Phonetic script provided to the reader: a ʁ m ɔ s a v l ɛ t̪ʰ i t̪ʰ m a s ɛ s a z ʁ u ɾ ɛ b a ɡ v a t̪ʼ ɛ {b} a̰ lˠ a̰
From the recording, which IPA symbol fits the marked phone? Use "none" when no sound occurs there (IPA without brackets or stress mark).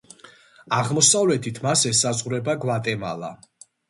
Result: m